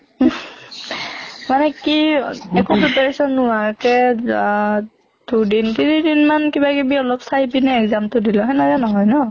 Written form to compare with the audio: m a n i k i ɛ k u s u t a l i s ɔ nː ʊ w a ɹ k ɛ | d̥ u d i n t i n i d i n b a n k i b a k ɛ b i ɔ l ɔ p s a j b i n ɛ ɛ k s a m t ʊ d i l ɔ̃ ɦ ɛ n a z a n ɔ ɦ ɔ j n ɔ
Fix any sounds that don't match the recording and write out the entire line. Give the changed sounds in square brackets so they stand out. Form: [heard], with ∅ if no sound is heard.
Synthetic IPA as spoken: m a n [ɛ] k i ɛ k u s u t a [ɹ] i s ɔ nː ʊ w a ɹ k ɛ | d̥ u d i n t i n i d i n [m] a n k i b a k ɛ b i ɔ l ɔ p s a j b i n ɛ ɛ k [z] a m t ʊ d i l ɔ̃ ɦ ɛ n a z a n ɔ ɦ ɔ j n ɔ